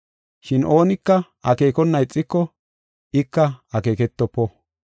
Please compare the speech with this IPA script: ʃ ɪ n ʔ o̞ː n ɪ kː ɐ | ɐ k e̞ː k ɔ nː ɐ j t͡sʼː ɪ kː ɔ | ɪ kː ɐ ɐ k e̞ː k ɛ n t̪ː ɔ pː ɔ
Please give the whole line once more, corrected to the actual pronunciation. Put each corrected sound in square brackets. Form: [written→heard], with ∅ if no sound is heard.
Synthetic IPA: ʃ ɪ n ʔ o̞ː n ɪ kː ɐ | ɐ k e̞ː k ɔ nː ɐ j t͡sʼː ɪ kː ɔ | ɪ kː ɐ ɐ k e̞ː k ɛ [n→∅] t̪ː ɔ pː ɔ